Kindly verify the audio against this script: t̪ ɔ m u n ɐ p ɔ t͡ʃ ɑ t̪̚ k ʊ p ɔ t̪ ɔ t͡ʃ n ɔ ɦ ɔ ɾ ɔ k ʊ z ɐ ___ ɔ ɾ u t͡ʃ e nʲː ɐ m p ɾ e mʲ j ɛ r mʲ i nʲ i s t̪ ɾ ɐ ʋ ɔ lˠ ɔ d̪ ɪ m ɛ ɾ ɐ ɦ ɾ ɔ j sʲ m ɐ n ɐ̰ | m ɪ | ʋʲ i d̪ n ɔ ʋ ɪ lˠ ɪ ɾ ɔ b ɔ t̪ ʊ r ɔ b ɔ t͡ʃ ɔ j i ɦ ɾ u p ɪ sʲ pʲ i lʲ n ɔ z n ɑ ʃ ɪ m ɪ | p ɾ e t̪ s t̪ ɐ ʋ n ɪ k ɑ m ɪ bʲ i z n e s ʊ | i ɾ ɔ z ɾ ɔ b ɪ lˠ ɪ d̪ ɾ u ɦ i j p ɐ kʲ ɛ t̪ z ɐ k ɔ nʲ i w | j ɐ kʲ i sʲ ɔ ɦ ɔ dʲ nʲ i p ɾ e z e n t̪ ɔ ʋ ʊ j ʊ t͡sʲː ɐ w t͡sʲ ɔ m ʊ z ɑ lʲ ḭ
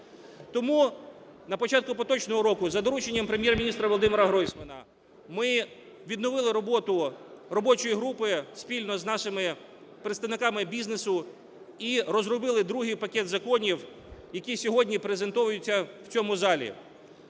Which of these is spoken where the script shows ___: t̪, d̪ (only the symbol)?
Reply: d̪